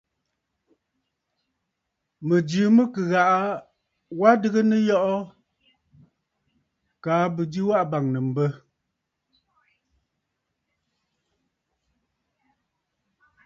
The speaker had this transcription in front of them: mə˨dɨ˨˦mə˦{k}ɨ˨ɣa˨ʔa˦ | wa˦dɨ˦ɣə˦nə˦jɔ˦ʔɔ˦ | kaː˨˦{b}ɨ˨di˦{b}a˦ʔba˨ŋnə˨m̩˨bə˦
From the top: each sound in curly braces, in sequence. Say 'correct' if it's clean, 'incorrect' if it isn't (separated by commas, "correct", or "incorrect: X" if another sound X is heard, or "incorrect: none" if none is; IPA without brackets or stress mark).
correct, correct, incorrect: w